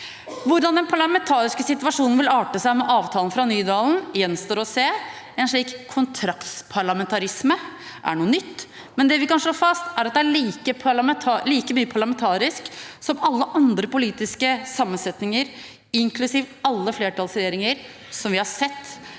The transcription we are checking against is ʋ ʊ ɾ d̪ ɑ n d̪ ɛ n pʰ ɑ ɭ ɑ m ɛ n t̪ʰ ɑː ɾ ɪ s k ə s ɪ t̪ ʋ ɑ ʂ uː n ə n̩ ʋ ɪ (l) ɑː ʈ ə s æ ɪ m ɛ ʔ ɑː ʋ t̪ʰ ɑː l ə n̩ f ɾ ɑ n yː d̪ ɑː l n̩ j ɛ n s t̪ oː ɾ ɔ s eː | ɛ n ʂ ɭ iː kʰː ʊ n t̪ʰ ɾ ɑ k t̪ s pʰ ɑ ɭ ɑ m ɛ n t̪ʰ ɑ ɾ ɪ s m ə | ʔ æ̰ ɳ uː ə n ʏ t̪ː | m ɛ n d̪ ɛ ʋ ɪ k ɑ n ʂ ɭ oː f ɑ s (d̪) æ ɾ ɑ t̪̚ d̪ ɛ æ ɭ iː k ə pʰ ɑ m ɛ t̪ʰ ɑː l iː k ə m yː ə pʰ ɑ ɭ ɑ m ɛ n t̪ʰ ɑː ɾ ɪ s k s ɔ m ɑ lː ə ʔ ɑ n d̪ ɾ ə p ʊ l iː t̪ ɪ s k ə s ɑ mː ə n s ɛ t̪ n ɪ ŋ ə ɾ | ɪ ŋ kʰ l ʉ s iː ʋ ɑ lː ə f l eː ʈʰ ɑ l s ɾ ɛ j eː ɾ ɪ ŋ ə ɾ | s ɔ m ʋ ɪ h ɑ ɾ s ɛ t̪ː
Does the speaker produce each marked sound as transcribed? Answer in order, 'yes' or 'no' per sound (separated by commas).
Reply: yes, no